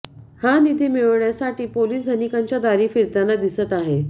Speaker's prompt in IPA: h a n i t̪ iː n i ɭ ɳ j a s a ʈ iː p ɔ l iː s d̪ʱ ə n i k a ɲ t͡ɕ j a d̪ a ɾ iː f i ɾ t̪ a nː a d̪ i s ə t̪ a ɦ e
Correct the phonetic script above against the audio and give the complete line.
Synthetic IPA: h a n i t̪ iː m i ɭ ɳ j a s a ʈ iː p o l iː s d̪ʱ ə n i k a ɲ t͡ɕ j a d̪ a ɾ iː f i ɾ t̪ a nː a d̪ i s ə t̪ a ɦ e

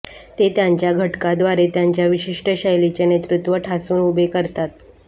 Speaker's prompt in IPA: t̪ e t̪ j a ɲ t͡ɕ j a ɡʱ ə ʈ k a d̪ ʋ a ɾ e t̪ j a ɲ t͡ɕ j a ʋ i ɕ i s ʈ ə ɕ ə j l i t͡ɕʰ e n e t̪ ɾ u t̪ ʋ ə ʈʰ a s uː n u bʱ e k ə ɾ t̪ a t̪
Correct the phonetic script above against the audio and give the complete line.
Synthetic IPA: t̪ e t̪ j a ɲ t͡ɕ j a ɡʱ ə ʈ k a d̪ ʋ a ɾ e t̪ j a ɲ t͡ɕ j a ʋ i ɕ i ʂ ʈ ə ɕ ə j l i t͡ɕ e n e t̪ ɾ u t̪ ʋ ə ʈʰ a s uː n u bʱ e k ə ɾ t̪ a t̪

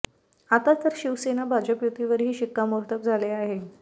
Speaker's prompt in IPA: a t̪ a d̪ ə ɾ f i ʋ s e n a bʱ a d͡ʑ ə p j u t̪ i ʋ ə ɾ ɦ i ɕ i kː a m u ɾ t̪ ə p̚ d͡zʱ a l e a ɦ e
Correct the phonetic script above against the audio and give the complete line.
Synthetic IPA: a t̪ a t̪ ə ɾ ɕ i ʋ s e n a bʱ a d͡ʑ ə p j u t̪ i ʋ ə ɾ ɦ iː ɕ i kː a m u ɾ t̪ ə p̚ d͡zʱ a l e a ɦ e

